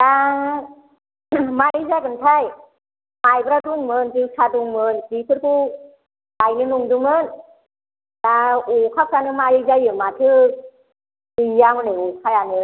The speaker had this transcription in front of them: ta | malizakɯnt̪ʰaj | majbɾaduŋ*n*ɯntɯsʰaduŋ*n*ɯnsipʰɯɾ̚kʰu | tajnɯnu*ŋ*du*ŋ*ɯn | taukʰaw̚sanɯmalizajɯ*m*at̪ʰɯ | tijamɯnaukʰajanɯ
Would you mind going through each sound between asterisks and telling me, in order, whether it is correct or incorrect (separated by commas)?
incorrect, incorrect, correct, incorrect, correct